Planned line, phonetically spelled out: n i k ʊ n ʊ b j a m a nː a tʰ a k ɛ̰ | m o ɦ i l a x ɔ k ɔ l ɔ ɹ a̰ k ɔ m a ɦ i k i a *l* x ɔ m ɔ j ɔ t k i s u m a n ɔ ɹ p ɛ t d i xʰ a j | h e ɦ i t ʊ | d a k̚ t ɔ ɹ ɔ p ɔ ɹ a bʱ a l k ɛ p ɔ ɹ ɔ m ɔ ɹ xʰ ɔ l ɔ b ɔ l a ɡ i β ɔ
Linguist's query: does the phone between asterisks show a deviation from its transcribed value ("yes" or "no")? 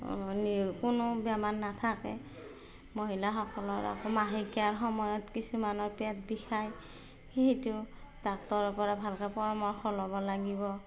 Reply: yes